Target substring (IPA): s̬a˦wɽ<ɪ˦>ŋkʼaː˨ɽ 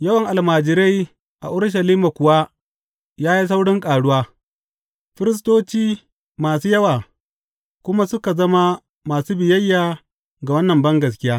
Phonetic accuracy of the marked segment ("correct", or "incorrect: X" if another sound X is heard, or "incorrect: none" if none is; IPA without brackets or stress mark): correct